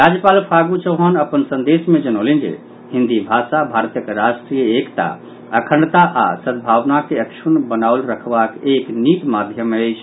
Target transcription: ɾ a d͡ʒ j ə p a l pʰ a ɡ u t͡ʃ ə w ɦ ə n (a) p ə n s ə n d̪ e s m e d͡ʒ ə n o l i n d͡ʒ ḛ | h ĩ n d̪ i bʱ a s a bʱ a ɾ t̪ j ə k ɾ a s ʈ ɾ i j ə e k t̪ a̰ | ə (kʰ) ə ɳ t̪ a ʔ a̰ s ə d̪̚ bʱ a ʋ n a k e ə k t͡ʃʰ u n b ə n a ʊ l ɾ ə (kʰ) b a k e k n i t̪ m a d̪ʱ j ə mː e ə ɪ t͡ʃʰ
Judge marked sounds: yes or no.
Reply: no, yes, yes

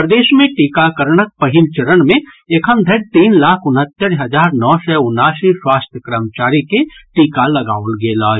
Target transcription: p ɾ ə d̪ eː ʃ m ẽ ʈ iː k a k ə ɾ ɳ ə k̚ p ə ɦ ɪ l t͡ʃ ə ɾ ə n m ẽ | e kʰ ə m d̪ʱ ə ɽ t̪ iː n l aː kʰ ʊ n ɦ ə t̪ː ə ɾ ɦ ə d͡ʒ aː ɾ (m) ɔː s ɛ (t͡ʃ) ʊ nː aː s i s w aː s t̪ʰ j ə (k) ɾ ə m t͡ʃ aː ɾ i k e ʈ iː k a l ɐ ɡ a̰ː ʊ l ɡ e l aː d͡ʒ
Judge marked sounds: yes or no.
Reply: no, no, yes

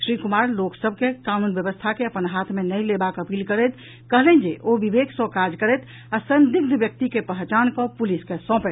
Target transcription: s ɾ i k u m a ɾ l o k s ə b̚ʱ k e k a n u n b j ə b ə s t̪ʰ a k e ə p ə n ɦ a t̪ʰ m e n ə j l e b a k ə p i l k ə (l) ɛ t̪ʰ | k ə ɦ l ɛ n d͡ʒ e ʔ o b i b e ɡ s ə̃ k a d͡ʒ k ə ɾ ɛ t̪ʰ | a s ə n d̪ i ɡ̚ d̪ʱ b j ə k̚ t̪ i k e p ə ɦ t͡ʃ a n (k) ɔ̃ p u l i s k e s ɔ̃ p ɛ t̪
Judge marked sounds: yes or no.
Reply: no, yes

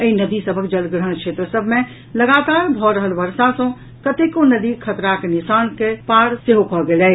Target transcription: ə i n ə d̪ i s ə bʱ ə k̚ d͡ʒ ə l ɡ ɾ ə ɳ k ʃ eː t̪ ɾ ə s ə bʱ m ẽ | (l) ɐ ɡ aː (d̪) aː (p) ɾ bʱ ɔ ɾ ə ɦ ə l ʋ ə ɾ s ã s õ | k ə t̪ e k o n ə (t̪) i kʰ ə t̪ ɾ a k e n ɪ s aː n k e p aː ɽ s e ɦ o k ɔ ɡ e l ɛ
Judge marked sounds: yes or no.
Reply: yes, no, no, no

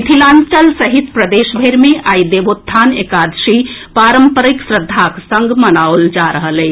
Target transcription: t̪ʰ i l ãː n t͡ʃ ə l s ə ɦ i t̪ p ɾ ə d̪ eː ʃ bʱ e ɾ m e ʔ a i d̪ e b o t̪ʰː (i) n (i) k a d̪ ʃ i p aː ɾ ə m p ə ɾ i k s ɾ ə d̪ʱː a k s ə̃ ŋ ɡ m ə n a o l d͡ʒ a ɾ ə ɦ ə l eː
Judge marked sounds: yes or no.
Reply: no, no

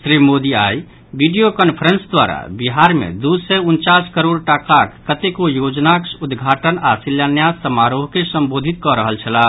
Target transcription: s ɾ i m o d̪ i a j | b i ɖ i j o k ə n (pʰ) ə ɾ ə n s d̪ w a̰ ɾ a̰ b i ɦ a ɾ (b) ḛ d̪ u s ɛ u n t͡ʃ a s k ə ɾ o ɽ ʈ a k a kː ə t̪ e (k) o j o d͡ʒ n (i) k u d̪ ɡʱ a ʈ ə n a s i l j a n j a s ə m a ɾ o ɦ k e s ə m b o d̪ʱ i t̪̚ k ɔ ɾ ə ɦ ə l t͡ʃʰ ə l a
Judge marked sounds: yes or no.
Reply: yes, no, yes, no

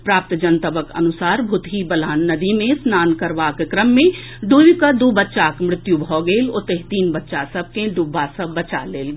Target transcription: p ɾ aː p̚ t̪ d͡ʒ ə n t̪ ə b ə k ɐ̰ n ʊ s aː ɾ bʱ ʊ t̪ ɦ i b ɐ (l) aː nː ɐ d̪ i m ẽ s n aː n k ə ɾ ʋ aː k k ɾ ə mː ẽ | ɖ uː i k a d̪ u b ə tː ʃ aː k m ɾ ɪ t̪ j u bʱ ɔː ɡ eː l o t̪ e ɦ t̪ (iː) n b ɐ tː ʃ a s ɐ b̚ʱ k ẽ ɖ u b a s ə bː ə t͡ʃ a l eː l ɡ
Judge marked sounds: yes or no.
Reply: yes, yes

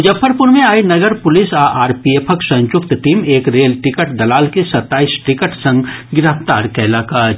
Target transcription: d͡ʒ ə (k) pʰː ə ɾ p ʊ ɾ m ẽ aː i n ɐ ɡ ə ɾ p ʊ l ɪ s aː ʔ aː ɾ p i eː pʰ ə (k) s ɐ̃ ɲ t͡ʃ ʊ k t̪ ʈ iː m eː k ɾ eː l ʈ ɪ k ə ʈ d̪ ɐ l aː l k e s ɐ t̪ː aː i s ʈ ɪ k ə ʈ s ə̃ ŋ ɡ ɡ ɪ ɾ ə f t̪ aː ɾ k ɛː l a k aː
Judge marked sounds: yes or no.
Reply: no, yes

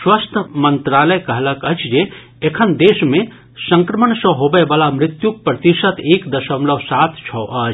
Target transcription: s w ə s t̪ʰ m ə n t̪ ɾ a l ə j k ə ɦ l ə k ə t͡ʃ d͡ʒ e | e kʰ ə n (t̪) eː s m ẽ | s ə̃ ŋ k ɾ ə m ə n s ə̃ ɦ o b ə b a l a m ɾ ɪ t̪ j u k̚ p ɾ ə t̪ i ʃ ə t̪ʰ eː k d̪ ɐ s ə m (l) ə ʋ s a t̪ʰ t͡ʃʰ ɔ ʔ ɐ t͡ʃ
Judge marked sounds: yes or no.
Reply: no, yes

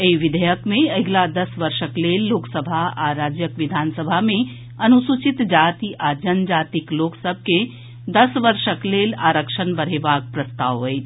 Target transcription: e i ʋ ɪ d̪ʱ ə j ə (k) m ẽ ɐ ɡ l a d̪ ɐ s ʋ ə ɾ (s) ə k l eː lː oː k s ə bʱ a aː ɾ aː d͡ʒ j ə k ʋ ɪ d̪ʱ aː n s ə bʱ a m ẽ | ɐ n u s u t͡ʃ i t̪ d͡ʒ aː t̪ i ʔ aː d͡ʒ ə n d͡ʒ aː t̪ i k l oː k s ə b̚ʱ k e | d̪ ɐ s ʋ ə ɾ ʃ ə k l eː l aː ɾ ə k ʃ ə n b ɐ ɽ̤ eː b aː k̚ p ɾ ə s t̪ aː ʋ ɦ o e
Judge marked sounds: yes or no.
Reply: yes, no

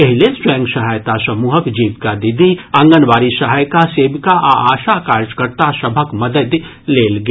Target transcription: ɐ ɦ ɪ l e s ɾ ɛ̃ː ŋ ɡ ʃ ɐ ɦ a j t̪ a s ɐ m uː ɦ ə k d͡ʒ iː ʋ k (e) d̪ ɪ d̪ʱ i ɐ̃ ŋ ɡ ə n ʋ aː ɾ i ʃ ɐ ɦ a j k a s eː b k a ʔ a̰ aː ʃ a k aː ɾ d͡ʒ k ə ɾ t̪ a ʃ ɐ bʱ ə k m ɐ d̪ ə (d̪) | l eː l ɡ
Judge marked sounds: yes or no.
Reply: no, yes

